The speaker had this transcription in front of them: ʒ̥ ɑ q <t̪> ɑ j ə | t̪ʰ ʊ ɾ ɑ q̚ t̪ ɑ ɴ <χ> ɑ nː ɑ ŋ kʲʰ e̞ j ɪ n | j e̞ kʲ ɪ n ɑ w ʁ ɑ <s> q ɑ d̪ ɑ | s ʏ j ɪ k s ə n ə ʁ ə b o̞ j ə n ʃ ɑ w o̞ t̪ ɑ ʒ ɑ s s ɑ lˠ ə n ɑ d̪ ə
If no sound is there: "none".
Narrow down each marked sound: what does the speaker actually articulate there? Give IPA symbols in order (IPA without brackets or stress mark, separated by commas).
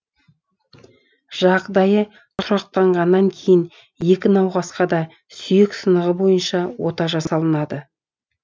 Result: d̪, ʁ, s